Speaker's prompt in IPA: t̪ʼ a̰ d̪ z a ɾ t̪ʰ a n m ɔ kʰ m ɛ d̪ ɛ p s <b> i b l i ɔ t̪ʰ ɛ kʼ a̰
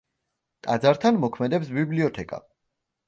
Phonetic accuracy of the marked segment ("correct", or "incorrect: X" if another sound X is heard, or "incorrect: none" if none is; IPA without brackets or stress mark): correct